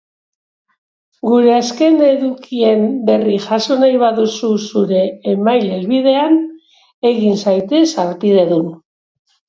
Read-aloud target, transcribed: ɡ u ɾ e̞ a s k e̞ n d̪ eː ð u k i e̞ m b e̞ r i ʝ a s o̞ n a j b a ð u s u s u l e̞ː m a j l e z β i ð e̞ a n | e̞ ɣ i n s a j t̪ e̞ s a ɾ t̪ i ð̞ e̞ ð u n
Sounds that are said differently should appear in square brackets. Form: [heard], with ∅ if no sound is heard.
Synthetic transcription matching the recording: ɡ u ɾ e̞ a s k e̞ n d̪ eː ð u k i e̞ m b e̞ r i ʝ a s o̞ n a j [β] a ð u s u s u [ɾ] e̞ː m a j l e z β i ð e̞ a n | e̞ ɣ i n s a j t̪ e̞ s a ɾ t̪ i ð̞ e̞ ð u n